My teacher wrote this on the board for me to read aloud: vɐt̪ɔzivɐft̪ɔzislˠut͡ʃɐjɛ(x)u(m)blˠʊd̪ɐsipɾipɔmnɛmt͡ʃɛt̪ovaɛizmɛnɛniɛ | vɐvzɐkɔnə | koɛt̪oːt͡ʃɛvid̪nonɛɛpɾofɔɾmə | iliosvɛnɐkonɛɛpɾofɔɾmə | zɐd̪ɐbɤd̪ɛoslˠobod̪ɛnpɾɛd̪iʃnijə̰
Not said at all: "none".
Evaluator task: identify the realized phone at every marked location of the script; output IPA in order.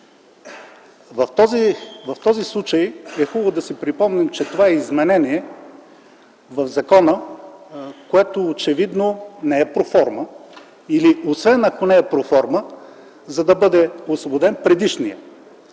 x, b

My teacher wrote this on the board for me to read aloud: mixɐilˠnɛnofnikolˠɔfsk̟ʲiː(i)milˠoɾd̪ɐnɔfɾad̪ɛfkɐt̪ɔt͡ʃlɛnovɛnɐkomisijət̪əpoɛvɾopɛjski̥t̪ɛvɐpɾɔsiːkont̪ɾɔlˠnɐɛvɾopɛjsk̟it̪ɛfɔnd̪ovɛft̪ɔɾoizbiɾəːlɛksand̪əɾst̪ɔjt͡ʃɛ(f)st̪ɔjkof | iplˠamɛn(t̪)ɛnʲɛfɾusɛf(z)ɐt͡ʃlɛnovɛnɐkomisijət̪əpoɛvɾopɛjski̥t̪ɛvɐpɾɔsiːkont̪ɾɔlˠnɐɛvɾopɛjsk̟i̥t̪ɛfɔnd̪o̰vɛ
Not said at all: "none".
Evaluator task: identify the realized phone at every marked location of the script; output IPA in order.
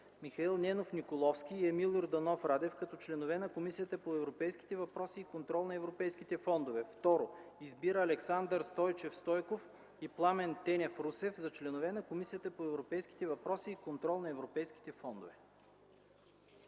ɛ, f, t̪, z

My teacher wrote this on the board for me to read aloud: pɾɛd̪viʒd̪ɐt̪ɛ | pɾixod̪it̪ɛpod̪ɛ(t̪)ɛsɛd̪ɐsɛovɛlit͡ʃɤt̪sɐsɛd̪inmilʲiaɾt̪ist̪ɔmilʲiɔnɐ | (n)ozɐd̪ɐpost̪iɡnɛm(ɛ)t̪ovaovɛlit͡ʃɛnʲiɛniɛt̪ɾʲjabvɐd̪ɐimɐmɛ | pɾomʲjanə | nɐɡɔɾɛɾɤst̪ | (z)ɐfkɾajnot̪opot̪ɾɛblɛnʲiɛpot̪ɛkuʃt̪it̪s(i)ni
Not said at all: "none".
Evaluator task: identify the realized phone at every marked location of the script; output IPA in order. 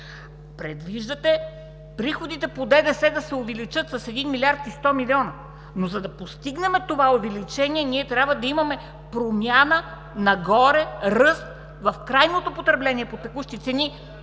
d̪, n, ɛ, v, ɛ

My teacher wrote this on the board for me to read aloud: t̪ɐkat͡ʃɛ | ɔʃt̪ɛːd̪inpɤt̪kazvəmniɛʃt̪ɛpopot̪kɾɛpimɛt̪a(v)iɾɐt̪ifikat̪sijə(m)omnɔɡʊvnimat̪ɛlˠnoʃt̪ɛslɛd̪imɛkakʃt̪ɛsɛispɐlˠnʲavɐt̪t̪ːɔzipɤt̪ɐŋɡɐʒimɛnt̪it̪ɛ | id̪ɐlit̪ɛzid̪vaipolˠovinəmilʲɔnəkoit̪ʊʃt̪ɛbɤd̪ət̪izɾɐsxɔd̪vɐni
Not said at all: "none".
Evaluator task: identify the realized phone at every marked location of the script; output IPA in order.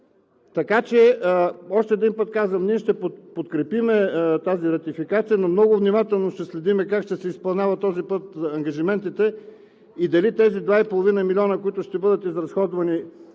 z, n

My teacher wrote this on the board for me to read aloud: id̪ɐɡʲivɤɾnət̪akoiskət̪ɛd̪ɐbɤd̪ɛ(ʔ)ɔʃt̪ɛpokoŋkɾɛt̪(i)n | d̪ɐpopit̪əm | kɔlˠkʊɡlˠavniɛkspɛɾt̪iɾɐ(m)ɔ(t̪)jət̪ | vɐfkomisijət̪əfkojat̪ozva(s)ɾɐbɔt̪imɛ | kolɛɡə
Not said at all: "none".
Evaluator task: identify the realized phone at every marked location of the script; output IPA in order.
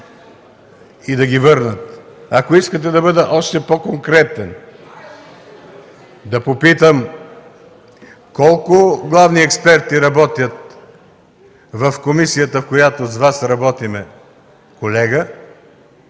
ʔ, ɛ, b, t̪, s

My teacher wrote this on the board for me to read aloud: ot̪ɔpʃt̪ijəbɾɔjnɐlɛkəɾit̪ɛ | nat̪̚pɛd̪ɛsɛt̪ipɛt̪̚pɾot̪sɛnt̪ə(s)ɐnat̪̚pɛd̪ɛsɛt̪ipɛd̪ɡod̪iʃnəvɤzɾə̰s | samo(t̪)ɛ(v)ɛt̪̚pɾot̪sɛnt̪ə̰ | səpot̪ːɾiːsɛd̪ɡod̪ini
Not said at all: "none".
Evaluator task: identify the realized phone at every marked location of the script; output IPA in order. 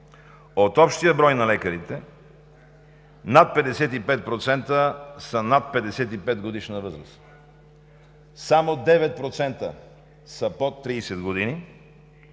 s, d̪, v

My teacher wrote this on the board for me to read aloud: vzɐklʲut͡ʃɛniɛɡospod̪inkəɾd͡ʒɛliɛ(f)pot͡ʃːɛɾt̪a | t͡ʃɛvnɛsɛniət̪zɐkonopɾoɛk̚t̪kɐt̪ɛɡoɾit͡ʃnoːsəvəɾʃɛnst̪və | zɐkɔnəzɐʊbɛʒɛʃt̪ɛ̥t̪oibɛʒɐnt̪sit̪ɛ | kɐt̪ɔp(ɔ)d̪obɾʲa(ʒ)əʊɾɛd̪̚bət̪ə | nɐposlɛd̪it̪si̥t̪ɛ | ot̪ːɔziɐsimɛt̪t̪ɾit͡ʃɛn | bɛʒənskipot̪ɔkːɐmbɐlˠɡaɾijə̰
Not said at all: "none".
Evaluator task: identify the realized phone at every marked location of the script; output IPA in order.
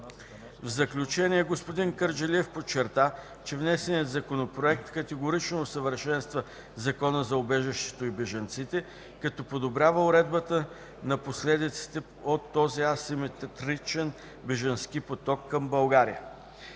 f, o, v

